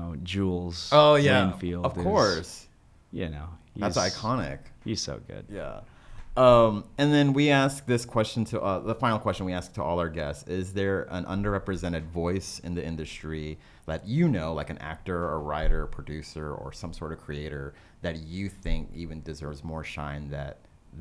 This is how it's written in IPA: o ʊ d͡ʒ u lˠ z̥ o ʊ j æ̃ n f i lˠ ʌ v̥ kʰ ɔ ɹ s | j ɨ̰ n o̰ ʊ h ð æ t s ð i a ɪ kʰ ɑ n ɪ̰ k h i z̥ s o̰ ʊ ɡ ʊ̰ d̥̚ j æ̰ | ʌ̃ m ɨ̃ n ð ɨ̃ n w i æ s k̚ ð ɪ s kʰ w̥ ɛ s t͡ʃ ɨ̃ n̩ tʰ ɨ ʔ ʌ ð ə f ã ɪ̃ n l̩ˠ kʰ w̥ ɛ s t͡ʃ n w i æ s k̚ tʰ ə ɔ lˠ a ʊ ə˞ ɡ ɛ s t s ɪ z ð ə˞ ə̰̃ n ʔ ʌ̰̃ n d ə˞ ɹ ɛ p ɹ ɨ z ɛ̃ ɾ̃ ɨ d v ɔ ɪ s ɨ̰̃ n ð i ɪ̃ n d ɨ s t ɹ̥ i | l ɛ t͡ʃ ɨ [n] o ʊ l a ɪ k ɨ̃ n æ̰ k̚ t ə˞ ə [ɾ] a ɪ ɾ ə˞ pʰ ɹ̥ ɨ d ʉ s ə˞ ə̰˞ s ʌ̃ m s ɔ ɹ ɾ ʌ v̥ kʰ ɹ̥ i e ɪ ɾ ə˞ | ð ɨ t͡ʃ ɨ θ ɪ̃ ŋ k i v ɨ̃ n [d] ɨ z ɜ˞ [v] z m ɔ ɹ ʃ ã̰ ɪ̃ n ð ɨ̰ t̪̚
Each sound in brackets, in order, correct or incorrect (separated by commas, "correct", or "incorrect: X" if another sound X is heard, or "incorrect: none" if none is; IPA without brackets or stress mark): correct, incorrect: ɹ, correct, correct